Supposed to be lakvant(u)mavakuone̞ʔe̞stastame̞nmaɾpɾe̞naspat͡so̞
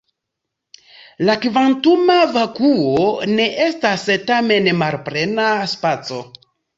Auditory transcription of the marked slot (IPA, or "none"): u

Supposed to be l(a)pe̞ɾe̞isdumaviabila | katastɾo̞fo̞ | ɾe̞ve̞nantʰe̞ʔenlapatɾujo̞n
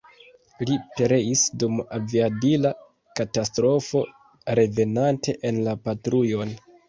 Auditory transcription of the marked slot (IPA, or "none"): i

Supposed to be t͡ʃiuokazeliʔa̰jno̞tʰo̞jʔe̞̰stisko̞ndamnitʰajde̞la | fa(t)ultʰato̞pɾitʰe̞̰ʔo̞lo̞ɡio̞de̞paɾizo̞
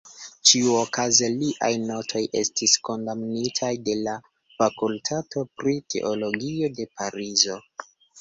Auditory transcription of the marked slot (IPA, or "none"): k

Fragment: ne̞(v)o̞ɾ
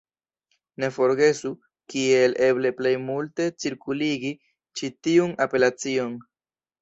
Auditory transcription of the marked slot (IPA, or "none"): f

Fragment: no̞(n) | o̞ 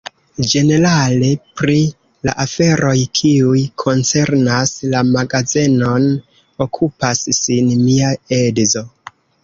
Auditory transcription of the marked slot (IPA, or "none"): n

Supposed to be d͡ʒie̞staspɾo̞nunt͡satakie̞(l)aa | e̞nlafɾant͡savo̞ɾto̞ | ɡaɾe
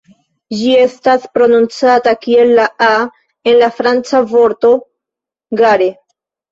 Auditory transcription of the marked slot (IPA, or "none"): lː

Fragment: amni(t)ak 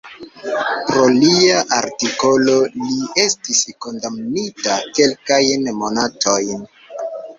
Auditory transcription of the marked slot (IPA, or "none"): t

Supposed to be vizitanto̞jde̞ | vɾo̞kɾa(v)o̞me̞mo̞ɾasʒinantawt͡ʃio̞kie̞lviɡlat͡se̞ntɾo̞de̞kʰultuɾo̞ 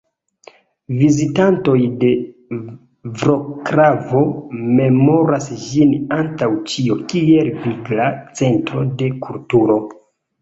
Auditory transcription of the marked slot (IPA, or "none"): v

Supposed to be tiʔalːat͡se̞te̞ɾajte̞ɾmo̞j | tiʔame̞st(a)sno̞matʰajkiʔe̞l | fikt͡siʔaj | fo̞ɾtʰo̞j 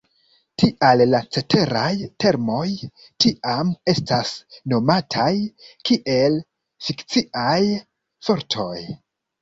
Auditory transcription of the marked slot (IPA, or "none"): a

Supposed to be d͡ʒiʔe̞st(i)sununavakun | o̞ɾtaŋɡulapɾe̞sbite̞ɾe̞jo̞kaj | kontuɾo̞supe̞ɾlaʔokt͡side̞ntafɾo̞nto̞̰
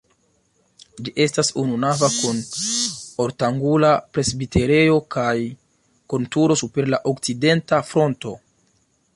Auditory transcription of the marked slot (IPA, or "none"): a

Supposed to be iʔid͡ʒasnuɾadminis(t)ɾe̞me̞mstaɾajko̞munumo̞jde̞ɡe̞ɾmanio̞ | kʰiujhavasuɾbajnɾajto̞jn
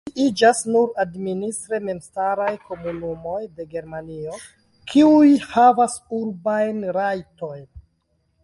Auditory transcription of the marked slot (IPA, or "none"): t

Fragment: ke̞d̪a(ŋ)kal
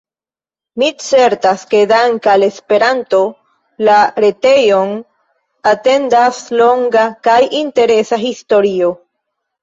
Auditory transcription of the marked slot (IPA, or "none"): ŋ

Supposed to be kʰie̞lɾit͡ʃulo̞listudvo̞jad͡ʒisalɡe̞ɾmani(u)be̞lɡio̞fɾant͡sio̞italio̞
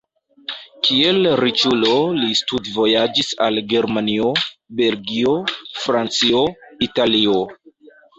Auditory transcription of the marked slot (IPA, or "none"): o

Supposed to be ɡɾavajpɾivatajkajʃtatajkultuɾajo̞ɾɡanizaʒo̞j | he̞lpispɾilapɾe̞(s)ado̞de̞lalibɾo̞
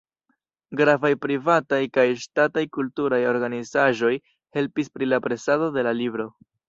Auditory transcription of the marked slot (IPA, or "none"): s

